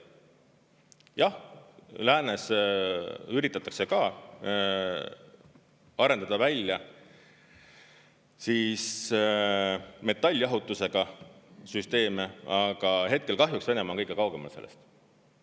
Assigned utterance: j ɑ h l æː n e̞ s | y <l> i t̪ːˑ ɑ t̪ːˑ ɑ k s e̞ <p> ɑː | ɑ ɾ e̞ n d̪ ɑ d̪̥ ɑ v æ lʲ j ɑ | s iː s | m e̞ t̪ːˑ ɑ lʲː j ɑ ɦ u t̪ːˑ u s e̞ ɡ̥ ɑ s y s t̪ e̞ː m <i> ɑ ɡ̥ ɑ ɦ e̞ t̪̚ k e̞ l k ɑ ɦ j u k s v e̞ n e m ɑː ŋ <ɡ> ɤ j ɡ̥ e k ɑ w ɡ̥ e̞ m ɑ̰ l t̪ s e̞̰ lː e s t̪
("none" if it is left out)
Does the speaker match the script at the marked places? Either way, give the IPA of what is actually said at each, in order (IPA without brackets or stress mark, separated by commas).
ɾ, k, e, k